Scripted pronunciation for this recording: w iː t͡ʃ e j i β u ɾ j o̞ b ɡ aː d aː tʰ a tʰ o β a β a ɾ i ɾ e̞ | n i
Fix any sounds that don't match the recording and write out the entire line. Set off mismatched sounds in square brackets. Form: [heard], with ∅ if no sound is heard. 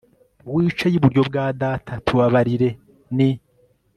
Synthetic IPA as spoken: w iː t͡ʃ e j i β u ɾ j o̞ b ɡ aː d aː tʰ a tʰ [u] β a β a ɾ i ɾ e̞ | n i